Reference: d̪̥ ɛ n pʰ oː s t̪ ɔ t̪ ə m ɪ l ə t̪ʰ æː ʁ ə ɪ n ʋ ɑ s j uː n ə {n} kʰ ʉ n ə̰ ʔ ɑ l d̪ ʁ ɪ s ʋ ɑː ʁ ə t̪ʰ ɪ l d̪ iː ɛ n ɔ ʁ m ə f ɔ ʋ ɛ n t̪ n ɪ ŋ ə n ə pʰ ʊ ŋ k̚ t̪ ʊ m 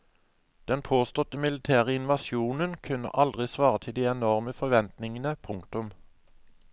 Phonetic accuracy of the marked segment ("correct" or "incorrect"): correct